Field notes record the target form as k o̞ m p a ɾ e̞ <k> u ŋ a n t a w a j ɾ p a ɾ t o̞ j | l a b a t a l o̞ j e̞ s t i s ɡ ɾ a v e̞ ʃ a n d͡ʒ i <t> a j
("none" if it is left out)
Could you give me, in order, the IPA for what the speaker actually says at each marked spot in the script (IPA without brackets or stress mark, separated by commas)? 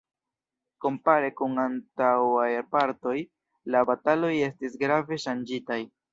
k, t